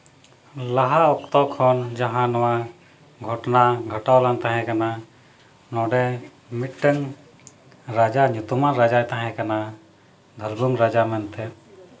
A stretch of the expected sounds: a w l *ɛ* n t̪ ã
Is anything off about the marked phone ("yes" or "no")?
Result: yes